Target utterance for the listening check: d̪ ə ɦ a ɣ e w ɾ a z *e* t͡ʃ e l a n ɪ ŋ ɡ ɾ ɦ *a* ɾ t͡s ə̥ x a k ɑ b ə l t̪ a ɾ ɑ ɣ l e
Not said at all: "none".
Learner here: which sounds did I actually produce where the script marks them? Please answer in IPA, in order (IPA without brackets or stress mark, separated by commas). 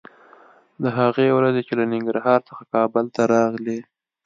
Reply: e, ɑ